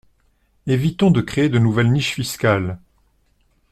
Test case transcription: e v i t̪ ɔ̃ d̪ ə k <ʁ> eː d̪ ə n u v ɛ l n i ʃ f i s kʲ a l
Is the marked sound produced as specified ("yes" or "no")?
no